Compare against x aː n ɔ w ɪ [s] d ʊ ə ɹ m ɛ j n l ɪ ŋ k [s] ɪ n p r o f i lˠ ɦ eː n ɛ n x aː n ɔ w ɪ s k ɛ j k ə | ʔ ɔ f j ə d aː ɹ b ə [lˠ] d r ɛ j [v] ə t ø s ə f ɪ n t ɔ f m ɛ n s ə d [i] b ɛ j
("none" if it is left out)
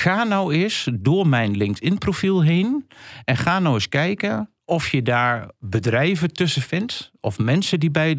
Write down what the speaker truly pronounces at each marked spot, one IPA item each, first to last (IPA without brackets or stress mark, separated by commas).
s, t, none, v, i